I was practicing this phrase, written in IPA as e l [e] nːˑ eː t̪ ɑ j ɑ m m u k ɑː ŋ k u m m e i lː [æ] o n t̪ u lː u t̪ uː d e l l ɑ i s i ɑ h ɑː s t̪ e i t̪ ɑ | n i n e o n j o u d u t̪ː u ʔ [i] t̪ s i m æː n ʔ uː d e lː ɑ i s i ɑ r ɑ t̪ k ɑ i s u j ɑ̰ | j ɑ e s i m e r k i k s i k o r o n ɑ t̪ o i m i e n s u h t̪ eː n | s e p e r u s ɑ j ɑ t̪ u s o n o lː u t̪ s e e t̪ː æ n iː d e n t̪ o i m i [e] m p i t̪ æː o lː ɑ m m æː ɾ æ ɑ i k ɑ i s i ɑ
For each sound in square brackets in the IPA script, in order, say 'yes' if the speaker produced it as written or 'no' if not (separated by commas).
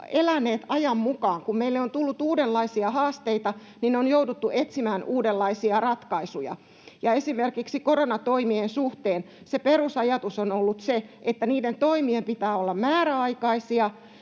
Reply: no, no, no, yes